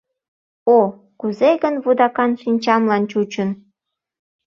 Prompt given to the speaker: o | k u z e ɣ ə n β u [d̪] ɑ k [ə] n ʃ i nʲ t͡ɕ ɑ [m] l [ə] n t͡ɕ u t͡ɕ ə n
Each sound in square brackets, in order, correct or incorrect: correct, incorrect: ɑ, correct, incorrect: ɑ

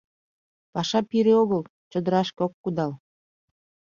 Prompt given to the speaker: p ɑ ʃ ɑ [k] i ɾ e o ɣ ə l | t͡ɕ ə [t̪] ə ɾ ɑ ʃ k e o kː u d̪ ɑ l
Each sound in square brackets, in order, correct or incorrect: incorrect: p, incorrect: d̪

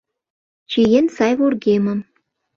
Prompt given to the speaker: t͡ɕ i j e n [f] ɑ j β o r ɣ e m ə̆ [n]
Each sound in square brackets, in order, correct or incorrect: incorrect: s, incorrect: m

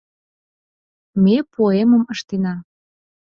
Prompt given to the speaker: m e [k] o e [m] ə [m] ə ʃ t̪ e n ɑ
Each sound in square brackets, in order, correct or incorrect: incorrect: p, correct, correct

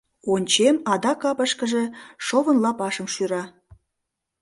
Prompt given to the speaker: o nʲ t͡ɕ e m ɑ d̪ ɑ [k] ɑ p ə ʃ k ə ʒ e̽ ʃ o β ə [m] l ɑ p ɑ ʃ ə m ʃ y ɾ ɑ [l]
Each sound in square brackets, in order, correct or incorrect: correct, incorrect: n, incorrect: none

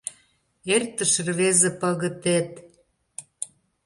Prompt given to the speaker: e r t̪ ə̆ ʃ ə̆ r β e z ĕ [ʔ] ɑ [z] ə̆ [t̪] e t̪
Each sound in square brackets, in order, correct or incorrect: incorrect: p, incorrect: ɣ, correct

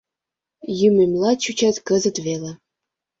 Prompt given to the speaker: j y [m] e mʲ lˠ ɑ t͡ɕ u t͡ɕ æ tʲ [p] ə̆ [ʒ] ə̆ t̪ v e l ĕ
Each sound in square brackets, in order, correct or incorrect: correct, incorrect: k, incorrect: z

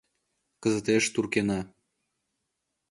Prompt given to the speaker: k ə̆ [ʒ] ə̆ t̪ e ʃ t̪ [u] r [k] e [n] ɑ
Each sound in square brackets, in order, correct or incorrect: incorrect: z, correct, correct, correct

